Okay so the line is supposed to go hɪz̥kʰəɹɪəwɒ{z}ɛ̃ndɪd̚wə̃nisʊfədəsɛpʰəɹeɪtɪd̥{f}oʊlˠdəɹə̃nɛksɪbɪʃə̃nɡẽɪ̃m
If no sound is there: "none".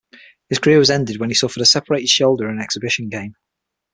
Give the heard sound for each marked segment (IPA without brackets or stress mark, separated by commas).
z, ʃ